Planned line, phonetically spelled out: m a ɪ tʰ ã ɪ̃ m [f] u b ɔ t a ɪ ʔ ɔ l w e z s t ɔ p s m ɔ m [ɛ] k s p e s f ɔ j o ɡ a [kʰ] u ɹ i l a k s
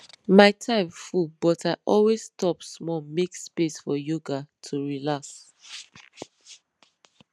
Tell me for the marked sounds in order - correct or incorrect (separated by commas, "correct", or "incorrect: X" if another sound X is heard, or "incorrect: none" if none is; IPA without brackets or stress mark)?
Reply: correct, incorrect: e, incorrect: tʰ